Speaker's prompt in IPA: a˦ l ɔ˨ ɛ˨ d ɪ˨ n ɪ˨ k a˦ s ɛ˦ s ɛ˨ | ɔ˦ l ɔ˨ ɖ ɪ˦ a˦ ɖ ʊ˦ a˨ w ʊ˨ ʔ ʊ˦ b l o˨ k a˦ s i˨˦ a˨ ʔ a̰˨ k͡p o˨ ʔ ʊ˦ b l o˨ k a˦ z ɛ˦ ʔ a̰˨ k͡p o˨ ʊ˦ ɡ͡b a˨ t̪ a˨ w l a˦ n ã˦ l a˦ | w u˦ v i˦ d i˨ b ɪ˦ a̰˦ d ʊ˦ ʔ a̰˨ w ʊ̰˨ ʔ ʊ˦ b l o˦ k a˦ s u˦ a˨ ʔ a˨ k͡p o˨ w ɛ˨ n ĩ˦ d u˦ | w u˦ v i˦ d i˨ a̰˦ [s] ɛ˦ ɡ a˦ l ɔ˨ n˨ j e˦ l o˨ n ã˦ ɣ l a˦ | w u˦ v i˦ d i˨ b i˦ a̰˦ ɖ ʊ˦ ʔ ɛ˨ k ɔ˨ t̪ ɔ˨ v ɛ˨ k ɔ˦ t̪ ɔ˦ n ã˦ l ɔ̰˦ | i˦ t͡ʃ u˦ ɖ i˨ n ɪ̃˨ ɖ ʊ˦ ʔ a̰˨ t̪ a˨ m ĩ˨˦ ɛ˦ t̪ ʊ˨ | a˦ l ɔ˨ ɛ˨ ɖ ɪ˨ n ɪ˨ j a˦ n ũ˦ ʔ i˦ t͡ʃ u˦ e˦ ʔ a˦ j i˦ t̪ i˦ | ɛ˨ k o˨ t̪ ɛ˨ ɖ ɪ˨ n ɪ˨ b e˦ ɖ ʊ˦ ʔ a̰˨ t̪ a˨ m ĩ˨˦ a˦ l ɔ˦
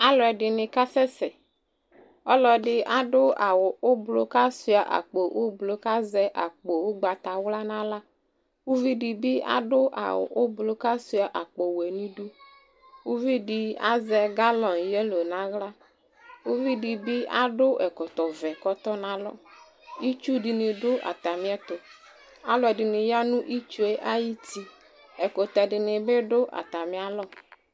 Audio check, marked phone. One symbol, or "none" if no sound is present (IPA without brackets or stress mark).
z